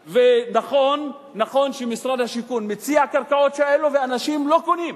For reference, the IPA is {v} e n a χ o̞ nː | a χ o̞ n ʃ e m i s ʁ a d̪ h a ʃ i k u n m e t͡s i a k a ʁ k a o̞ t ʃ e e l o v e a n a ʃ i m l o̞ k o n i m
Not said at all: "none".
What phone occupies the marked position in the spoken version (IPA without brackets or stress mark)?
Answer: v